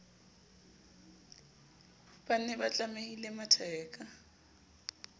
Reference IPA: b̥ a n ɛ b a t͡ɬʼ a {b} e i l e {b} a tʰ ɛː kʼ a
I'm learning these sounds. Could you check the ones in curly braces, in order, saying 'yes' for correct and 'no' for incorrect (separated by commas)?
no, no